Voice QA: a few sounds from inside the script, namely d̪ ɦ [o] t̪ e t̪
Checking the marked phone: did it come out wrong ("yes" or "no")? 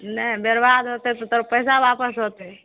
no